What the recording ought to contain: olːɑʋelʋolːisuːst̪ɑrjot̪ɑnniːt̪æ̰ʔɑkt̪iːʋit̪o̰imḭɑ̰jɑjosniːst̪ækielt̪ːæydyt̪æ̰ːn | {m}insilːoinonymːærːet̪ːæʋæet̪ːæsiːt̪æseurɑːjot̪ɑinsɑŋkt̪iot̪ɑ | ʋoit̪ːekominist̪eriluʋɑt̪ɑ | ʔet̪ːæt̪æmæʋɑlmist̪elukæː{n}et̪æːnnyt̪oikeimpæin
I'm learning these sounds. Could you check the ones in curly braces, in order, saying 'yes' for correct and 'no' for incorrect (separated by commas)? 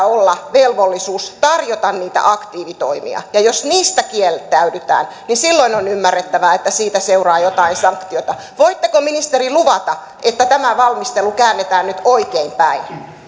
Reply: no, no